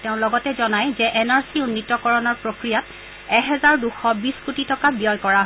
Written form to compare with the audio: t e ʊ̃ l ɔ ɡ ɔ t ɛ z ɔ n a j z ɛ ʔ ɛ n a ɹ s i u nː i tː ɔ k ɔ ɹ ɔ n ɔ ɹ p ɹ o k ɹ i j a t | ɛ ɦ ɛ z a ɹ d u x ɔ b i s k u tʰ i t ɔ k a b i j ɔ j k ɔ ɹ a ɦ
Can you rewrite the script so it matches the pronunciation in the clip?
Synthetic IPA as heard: t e ʊ̃ l ɔ ɡ ɔ t ɛ z ɔ n a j z ɛ ʔ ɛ n a ɹ s i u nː i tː ɔ k ɔ ɹ ɔ n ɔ ɹ p ɹ o k ɹ i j a t | ɛ ɦ ɛ z a ɹ d u x ɔ b i s k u t i t ɔ k a b i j ɔ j k ɔ ɹ a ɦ